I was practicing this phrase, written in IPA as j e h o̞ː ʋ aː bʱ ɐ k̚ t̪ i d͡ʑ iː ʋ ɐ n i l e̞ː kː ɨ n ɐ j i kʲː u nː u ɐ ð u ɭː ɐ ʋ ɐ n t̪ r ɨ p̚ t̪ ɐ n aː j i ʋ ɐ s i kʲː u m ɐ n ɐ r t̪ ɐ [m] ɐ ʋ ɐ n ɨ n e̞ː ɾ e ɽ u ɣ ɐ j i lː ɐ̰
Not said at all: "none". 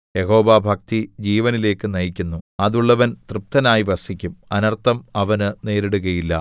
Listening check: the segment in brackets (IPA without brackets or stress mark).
m